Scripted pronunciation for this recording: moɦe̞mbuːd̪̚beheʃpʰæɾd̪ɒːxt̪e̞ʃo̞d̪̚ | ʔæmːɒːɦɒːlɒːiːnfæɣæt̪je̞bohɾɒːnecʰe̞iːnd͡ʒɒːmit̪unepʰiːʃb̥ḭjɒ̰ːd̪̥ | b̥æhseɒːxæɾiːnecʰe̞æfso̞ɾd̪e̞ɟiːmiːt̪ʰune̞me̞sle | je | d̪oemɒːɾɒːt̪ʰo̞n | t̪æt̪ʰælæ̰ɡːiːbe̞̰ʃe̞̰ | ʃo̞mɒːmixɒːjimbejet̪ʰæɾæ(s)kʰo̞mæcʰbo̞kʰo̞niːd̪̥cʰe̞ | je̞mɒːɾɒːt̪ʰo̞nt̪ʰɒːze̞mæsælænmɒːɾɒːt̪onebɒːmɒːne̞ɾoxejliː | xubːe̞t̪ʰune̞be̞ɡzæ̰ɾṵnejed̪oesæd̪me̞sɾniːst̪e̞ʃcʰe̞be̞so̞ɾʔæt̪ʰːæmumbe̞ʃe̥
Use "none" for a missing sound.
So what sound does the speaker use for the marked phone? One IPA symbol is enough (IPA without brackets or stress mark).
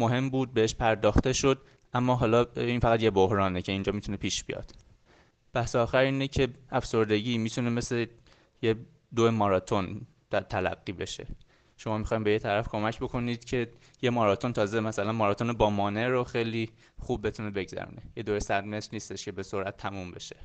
f